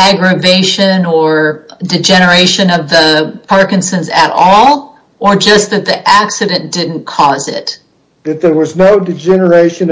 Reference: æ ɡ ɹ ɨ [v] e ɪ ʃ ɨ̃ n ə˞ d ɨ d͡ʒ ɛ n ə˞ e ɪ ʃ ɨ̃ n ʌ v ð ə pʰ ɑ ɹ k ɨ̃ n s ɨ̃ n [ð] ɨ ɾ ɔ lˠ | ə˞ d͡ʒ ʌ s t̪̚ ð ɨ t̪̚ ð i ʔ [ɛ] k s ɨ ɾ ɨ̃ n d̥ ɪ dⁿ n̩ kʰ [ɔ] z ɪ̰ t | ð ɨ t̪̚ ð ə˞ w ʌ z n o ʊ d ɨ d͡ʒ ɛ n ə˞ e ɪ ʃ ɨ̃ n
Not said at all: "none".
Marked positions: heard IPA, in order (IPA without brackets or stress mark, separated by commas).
v, z, æ, ɔ